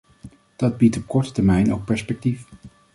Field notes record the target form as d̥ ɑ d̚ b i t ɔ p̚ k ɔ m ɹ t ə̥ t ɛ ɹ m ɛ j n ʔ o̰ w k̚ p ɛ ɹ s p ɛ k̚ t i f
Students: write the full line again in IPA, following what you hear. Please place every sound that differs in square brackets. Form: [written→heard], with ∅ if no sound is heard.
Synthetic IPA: d̥ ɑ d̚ b i t ɔ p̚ k ɔ [m→∅] ɹ t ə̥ t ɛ ɹ m ɛ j n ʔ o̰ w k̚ p ɛ ɹ s p ɛ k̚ t i f